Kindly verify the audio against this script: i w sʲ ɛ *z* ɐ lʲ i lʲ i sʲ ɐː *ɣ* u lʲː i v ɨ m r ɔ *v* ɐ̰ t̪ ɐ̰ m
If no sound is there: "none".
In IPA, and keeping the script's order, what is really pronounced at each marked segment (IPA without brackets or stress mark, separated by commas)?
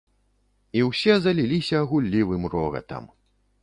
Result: z, ɣ, ɣ